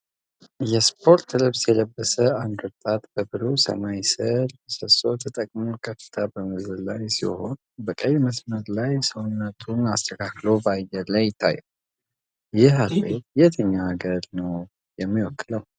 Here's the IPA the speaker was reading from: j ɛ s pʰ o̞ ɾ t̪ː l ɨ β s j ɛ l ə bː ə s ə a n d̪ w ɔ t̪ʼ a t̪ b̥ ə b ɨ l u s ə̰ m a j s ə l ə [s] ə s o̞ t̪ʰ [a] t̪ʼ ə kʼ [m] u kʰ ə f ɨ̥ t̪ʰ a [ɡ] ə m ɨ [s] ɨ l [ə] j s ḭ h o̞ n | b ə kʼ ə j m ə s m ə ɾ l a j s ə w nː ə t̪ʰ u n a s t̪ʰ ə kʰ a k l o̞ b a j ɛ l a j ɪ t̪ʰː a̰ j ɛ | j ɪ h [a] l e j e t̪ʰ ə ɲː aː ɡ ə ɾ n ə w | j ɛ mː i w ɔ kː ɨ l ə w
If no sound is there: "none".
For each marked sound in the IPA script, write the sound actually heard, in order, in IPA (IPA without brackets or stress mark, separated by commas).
s, ə, m, b, z, a, a